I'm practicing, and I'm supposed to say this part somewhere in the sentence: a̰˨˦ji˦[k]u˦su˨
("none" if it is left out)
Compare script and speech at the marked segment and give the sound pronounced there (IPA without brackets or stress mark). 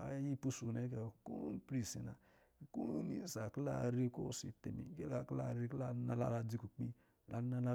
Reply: p